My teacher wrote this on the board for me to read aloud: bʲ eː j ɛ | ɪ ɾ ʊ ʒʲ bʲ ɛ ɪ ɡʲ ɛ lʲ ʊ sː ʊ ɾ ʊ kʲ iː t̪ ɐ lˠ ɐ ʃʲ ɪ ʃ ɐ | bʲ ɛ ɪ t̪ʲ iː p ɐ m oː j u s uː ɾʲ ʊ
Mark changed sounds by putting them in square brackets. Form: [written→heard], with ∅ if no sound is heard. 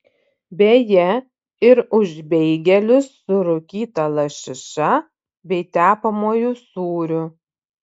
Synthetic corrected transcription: bʲ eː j ɛ | ɪ ɾ ʊ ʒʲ bʲ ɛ ɪ ɡʲ ɛ lʲ ʊ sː ʊ ɾ ʊ kʲ iː t̪ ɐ lˠ ɐ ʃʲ ɪ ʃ ɐ | bʲ ɛ ɪ t̪ʲ [iː→æː] p ɐ m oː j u s uː ɾʲ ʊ